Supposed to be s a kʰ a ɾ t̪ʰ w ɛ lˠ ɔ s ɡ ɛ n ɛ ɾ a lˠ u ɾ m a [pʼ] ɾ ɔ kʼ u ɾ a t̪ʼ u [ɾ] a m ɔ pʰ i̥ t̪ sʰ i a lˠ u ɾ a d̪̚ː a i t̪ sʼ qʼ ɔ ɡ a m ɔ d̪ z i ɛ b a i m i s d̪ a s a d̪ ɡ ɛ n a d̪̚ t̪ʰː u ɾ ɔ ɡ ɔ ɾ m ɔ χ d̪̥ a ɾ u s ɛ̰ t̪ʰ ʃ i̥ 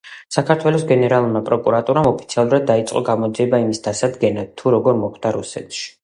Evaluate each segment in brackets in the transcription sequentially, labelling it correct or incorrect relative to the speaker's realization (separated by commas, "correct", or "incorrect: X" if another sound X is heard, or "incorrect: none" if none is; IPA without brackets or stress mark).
correct, correct